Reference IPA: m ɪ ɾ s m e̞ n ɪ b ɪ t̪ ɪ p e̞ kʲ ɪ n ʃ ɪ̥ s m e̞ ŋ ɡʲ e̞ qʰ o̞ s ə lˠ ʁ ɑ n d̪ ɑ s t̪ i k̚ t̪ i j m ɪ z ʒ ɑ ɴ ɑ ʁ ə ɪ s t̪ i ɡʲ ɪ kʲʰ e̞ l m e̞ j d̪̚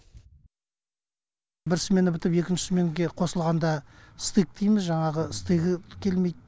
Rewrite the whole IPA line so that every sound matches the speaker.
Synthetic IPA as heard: b ɪ ɾ s m e̞ n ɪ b ɪ t̪ ɪ p e̞ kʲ ɪ n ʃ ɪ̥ s m e̞ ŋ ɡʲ e̞ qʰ o̞ s ə lˠ ʁ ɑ n d̪ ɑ s t̪ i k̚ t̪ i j m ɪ z ʒ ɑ ɴ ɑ ʁ ə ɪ s t̪ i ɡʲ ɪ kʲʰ e̞ l m e̞ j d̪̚